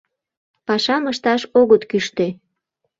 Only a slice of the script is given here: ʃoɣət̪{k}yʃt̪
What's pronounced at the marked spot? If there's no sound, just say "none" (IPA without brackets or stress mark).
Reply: k